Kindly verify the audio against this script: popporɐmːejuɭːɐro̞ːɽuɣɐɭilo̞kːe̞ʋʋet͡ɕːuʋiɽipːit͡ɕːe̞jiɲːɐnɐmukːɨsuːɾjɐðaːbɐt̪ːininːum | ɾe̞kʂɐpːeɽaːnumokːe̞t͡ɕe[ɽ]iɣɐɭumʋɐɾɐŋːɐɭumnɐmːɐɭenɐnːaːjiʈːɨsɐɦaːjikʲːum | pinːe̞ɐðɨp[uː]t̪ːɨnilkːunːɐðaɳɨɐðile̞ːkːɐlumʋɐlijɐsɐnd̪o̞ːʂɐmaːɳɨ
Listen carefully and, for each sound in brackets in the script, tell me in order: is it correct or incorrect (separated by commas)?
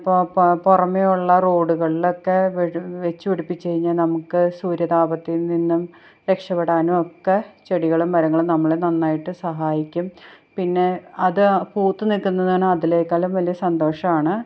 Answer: correct, correct